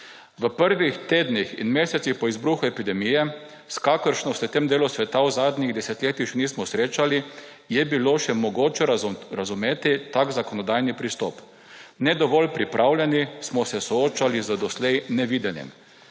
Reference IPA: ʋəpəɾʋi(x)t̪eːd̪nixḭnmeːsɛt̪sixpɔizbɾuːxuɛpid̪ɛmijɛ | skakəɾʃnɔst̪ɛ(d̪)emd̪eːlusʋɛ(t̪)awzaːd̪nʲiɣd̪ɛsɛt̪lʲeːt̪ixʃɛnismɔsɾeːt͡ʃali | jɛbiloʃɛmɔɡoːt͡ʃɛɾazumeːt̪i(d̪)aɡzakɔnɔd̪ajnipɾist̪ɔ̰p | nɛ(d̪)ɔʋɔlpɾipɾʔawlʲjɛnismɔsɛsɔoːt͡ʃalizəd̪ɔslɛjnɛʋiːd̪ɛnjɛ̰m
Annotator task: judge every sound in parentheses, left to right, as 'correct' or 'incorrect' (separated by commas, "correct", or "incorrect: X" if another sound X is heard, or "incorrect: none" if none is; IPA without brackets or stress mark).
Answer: correct, incorrect: t̪, correct, incorrect: t̪, correct